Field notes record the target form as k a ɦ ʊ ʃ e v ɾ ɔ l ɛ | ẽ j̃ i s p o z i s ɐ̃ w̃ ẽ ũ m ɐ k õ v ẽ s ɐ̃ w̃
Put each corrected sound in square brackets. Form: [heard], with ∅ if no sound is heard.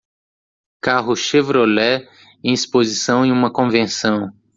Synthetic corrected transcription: k a ɦ ʊ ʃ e v ɾ [o] l ɛ | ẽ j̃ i s p o z i s ɐ̃ w̃ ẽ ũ m ɐ k õ v ẽ s ɐ̃ w̃